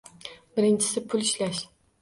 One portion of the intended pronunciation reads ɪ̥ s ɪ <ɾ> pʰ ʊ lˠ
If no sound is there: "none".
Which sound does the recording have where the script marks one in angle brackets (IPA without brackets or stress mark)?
none